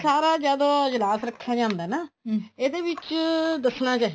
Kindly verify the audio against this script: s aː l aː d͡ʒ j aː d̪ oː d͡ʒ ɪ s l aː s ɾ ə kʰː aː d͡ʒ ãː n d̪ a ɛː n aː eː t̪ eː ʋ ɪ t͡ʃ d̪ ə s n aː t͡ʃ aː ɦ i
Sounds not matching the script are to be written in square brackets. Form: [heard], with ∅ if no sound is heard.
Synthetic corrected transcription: s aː [ɾ] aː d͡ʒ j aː d̪ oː d͡ʒ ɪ [∅] l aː s ɾ ə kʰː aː d͡ʒ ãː n d̪ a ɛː n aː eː [d̪] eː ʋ ɪ t͡ʃ d̪ ə s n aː t͡ʃ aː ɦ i